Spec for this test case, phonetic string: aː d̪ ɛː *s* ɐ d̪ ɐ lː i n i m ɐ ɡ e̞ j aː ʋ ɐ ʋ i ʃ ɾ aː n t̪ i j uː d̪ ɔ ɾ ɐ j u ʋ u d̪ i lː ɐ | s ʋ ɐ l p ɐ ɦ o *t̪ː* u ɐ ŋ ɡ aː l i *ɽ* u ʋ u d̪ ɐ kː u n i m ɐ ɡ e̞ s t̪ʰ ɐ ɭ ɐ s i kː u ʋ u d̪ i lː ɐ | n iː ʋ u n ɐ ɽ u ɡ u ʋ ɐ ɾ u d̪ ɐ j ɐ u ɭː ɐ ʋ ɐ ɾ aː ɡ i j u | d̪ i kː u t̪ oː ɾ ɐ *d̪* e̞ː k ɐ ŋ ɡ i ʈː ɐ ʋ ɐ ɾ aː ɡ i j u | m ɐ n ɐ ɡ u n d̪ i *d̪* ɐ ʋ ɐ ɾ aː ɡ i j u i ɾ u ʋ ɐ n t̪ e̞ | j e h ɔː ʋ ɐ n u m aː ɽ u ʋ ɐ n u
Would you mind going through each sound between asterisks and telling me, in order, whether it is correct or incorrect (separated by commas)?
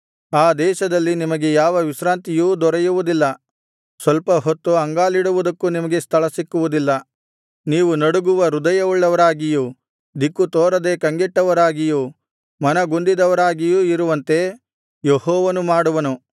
incorrect, correct, correct, correct, correct